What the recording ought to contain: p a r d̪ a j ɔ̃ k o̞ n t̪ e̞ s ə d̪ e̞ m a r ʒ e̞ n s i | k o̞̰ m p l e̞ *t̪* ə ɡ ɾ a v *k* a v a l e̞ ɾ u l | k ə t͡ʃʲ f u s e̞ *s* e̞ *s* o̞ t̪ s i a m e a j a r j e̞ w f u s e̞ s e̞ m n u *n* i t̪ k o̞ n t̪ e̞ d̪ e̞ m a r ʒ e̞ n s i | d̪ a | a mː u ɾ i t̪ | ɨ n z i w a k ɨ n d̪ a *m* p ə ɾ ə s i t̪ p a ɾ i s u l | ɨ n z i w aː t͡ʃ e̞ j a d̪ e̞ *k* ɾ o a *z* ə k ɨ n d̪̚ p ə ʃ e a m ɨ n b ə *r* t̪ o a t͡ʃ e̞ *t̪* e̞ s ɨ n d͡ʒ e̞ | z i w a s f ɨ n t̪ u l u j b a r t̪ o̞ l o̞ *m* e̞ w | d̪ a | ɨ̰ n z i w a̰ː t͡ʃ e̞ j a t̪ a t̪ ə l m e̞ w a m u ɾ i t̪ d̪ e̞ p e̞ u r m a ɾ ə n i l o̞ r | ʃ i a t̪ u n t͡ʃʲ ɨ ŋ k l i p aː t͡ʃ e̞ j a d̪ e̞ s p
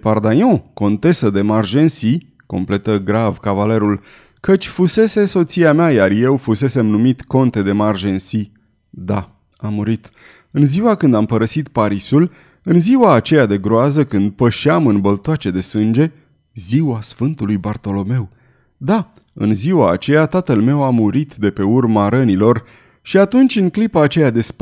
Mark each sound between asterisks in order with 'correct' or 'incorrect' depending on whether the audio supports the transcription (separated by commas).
correct, correct, correct, correct, incorrect, correct, incorrect, correct, incorrect, incorrect, correct